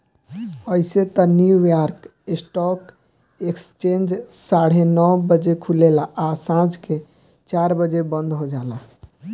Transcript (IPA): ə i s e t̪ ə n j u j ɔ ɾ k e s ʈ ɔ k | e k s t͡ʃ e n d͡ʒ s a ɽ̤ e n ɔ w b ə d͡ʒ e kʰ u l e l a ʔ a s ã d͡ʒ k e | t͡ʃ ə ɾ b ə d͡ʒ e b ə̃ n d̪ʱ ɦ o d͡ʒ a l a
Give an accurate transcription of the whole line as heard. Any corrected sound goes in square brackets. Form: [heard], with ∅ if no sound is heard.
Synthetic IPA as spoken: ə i s e t̪ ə n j u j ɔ ɾ k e s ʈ ɔ k | e k s t͡ʃ e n d͡ʒ s a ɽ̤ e n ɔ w b ə d͡ʒ e kʰ u l e l a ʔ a s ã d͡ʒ k e | t͡ʃ [a] ɾ b ə d͡ʒ e b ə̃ n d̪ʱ ɦ o d͡ʒ a l a